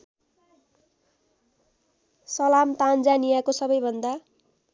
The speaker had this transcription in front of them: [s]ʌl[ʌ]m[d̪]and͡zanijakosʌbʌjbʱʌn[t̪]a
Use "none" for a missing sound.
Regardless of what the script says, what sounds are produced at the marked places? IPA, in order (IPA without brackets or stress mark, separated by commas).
s, a, t̪, d̪